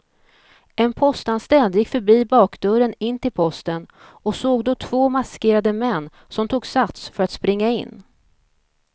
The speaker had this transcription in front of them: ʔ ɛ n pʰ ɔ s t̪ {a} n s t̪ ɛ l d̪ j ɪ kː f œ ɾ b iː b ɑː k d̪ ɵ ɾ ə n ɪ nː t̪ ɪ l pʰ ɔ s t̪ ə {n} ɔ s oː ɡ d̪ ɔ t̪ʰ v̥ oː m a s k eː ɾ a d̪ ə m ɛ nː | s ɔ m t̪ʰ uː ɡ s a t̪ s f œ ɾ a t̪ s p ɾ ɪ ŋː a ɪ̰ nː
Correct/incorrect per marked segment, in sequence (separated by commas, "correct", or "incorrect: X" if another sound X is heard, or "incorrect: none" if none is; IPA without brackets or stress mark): correct, correct